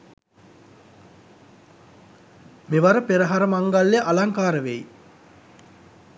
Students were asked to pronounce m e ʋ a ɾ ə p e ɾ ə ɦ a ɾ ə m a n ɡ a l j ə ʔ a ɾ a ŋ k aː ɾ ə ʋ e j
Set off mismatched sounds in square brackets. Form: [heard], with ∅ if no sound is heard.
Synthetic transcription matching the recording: m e ʋ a ɾ ə p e ɾ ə ɦ a ɾ ə m a [ŋ] ɡ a l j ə ʔ a [l] a ŋ k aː ɾ ə ʋ e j